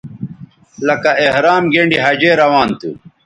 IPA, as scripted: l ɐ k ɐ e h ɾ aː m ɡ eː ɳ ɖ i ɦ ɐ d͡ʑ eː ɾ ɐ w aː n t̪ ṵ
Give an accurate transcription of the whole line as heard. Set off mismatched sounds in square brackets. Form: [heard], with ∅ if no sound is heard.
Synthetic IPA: l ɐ k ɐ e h ɾ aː m ɡ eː ɳ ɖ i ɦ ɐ d͡ʑ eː ɾ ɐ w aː n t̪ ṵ